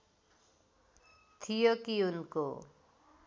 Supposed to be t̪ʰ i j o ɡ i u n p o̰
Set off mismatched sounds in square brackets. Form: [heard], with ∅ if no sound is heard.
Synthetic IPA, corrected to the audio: t̪ʰ i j o [k] i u n [k] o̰